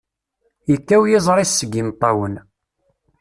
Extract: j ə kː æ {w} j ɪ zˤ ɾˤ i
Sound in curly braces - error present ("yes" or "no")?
no